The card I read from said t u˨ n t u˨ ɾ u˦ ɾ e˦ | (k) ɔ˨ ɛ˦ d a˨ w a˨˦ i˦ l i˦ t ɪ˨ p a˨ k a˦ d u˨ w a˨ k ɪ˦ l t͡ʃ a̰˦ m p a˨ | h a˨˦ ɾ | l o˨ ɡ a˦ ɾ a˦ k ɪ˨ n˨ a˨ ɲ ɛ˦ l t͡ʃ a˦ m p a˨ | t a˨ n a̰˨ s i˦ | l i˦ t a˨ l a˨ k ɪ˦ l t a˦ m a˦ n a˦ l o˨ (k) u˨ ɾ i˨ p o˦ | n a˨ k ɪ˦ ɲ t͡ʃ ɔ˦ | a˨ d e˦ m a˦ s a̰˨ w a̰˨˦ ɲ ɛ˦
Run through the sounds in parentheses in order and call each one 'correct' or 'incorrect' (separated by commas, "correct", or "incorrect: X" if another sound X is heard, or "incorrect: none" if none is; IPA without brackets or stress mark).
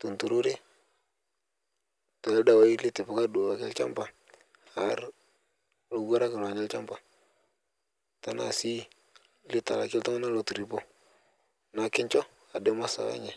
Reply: incorrect: t, incorrect: t